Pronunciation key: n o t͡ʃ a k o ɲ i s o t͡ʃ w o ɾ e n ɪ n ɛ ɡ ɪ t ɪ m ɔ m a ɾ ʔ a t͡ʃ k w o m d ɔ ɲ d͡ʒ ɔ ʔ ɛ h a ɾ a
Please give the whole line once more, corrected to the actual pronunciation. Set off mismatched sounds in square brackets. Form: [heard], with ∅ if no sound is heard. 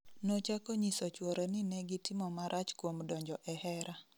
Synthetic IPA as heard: n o t͡ʃ a k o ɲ i s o t͡ʃ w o ɾ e n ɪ n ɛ ɡ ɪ t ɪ m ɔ m a ɾ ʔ a t͡ʃ k w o m d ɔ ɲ d͡ʒ ɔ ʔ ɛ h [ɛ] ɾ a